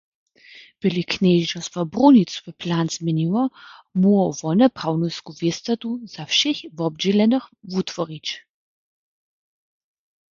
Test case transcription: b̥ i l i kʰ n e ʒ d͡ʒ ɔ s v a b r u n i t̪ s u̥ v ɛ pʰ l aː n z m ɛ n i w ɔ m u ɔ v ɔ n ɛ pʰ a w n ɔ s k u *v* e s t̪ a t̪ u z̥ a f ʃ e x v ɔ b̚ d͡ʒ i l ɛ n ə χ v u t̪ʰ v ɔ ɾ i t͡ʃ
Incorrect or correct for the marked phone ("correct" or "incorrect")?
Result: correct